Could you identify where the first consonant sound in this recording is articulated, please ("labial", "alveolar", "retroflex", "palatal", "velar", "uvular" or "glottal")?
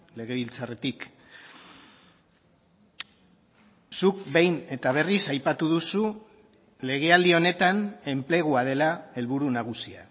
alveolar